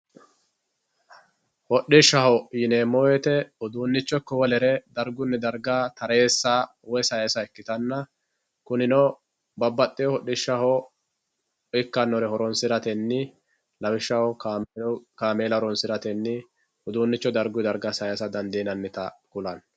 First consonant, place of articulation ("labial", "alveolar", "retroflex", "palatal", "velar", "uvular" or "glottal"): glottal